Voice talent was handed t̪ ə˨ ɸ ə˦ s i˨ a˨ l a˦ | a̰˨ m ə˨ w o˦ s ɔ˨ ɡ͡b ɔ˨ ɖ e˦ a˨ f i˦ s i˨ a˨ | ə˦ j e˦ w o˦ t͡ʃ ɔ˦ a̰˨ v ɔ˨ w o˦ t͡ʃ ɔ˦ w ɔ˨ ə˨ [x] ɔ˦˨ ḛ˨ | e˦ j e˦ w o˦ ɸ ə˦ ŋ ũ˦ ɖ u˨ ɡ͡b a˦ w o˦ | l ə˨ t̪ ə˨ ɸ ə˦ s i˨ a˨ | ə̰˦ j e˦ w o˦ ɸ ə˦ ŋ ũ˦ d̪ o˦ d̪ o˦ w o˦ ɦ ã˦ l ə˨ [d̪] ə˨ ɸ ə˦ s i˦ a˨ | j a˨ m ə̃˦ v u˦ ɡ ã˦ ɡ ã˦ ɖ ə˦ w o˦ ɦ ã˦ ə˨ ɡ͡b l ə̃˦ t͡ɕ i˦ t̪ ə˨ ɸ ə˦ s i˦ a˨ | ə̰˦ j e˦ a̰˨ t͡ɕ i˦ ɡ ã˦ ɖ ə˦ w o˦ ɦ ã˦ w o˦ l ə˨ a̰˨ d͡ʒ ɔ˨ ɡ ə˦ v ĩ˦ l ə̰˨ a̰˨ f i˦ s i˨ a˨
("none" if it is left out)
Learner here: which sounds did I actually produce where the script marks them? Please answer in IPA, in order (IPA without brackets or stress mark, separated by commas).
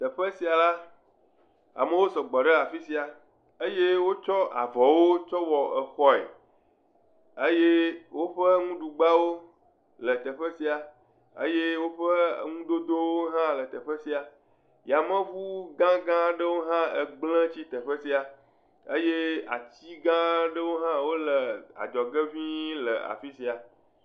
x, t̪